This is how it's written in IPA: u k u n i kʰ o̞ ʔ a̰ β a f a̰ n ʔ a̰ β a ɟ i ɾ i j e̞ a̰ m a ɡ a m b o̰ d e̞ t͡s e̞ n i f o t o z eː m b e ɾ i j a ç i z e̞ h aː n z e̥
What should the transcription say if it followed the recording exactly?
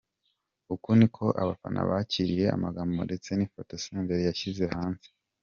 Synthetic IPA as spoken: u k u n i kʰ o̞ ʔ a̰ β a f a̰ n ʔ a̰ β a c i ɾ i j e̞ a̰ m a ɡ a m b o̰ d e̞ t͡s e̞ n i f o t o s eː m b e ɾ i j a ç i z e̞ h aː n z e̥

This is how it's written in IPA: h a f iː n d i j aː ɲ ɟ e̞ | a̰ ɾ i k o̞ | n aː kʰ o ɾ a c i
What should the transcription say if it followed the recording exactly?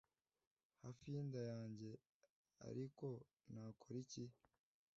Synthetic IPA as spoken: h a f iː n d a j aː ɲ ɟ e̞ | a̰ ɾ i k o̞ | n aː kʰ o ɾ i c i

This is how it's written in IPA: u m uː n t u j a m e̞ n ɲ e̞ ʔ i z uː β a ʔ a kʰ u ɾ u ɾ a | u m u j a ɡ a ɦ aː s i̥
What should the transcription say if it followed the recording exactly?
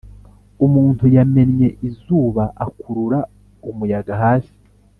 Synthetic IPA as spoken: u m uː n t u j a m e̞ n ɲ e̞ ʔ i z uː β a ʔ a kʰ u ɾ u ɾ a | u m u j a ɡ a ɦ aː s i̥

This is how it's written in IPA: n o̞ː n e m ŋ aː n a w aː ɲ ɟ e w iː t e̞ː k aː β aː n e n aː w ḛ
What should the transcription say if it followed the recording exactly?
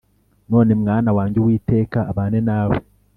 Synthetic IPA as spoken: n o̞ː n e m ŋ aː n a w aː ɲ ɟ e w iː t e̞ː k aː β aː n e n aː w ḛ

